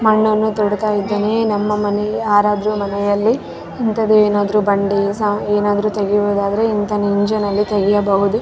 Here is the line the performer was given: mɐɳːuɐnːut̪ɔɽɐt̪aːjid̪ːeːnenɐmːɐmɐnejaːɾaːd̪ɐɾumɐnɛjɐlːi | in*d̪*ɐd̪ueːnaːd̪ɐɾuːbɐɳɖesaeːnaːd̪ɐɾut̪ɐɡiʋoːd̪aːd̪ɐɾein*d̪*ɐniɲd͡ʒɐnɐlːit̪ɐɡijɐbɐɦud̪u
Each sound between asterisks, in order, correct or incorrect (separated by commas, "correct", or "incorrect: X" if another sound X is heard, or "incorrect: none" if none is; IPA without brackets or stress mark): incorrect: t̪, incorrect: t̪